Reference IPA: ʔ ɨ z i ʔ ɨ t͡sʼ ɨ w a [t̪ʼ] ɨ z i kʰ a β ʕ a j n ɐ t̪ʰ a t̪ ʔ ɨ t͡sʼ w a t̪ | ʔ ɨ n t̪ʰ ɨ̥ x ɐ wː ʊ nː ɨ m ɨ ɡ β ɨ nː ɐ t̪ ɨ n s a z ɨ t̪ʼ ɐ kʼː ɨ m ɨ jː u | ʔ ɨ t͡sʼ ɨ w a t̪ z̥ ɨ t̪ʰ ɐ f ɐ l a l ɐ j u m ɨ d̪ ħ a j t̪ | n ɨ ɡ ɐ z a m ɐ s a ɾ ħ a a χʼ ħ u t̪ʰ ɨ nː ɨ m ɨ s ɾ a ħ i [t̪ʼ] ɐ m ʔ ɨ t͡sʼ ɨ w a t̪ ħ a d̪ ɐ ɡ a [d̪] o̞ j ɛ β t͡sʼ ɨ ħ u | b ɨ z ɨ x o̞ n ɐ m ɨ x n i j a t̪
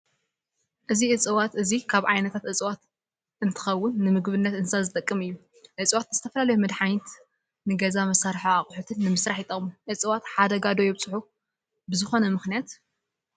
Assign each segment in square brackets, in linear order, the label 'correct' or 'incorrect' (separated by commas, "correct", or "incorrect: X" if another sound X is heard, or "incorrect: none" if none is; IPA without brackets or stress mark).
incorrect: t̪, correct, correct